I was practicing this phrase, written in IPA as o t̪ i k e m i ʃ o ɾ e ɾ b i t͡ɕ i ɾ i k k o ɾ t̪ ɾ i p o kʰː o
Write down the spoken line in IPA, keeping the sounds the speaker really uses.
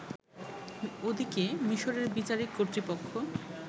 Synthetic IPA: o d̪ i k e m i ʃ o ɾ e ɾ b i t͡ɕ a ɾ i k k o ɾ t̪ ɾ i p o kʰː o